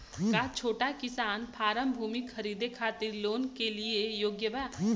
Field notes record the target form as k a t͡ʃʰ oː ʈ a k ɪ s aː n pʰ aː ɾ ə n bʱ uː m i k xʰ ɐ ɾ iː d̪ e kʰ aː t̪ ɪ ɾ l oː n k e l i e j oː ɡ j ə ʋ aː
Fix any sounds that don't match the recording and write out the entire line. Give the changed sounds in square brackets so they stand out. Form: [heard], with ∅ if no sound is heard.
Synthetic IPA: k a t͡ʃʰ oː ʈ a k ɪ s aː n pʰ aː ɾ ə [m] bʱ uː m i k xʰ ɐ ɾ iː d̪ e kʰ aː t̪ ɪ ɾ l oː n k e l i e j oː ɡ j ə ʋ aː